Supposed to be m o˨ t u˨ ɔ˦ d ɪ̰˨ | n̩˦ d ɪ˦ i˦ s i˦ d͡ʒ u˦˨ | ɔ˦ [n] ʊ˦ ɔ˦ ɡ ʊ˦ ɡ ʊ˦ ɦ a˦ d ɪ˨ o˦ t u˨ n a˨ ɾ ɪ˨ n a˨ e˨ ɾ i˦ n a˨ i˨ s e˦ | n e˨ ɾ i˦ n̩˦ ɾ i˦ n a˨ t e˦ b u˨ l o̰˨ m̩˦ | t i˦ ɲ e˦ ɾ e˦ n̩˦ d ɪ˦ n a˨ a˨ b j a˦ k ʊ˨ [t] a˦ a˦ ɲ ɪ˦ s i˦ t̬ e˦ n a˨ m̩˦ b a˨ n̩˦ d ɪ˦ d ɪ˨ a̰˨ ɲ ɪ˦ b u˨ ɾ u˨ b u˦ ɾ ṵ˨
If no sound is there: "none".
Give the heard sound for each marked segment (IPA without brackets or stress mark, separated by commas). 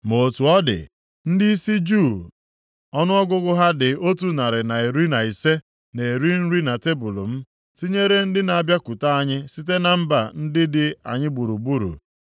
n, t